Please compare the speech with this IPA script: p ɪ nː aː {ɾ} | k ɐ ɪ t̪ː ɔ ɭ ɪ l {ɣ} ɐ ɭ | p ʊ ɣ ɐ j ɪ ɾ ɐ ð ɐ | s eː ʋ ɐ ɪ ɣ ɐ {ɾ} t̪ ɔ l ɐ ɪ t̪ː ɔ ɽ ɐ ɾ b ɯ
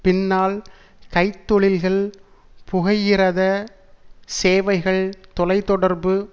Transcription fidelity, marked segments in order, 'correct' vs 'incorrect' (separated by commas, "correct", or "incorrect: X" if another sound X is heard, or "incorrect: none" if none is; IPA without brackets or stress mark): incorrect: l, correct, incorrect: ɭ